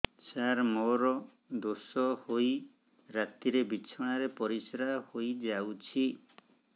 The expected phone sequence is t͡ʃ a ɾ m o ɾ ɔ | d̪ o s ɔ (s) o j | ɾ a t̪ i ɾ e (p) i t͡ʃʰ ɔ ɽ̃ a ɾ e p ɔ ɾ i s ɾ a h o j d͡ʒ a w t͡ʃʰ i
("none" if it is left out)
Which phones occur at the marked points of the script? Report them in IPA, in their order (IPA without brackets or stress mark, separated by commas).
h, b